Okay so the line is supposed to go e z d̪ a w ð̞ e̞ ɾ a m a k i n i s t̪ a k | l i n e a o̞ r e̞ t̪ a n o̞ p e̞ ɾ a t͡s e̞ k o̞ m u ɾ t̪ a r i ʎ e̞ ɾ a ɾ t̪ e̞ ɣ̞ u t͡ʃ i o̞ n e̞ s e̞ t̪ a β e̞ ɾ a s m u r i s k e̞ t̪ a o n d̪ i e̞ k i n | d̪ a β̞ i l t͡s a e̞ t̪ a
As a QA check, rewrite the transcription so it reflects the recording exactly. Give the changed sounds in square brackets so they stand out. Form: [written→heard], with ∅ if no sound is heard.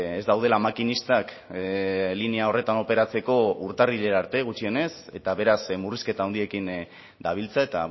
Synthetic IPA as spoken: e z d̪ a w ð̞ e̞ [ɾ→l] a m a k i n i s t̪ a k | l i n e a o̞ r e̞ t̪ a n o̞ p e̞ ɾ a t͡s e̞ k o̞ [m→∅] u ɾ t̪ a r i ʎ e̞ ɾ a ɾ t̪ e̞ ɣ̞ u t͡ʃ i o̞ n e̞ s e̞ t̪ a β e̞ ɾ a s m u r i s k e̞ t̪ a o n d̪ i e̞ k i n | d̪ a β̞ i l t͡s a e̞ t̪ a